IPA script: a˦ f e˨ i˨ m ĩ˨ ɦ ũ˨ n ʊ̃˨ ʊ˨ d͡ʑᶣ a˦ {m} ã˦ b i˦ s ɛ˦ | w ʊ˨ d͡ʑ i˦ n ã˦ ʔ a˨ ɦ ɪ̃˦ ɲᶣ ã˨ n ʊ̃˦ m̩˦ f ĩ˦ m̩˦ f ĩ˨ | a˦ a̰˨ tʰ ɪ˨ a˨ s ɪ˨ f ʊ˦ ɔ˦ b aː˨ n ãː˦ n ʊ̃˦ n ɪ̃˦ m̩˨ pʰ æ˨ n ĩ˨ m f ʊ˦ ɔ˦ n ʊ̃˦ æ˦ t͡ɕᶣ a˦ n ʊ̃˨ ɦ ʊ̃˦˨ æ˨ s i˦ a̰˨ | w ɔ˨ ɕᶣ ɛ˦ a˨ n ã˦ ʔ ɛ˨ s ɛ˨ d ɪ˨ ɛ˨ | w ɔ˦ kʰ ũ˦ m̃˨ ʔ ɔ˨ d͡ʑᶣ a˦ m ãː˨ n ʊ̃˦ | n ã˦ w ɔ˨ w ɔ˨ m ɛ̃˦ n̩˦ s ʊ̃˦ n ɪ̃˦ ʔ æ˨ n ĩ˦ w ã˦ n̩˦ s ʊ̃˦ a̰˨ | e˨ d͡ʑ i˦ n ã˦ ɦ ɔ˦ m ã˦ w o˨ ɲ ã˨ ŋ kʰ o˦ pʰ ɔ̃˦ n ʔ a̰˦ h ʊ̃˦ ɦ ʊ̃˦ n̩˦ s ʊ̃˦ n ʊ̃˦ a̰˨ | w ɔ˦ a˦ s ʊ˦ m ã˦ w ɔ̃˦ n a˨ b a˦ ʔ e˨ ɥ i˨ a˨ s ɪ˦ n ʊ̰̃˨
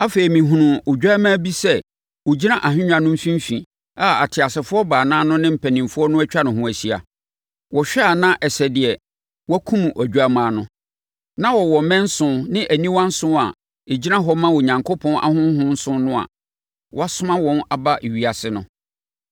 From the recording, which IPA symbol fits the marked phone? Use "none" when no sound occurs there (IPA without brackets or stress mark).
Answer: m